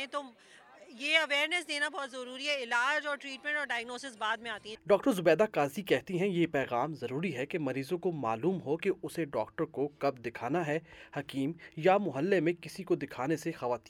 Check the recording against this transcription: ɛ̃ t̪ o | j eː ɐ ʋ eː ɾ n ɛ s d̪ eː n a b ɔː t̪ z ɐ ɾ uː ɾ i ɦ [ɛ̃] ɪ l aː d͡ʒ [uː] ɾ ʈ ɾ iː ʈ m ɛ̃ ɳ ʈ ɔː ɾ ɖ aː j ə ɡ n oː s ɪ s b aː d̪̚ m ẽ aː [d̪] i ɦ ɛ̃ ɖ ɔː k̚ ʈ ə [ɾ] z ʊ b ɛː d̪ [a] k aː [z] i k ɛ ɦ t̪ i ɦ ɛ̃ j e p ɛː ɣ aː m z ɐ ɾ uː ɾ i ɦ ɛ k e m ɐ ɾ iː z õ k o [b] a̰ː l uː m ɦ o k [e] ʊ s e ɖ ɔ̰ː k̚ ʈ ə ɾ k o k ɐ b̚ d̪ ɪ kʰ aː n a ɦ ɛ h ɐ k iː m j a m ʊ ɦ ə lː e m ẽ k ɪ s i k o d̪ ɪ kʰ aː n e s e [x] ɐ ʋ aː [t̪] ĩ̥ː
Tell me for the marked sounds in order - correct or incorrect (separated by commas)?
incorrect, incorrect, incorrect, correct, correct, correct, incorrect, correct, correct, correct